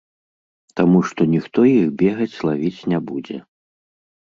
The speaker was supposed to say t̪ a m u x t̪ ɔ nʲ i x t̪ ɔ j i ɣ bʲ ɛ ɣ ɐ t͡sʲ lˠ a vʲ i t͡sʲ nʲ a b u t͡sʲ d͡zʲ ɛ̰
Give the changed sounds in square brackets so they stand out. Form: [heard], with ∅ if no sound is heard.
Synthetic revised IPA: t̪ a m u [ʂ] t̪ ɔ nʲ i x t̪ ɔ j i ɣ bʲ ɛ ɣ ɐ t͡sʲ lˠ a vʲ i t͡sʲ nʲ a b u [∅] d͡zʲ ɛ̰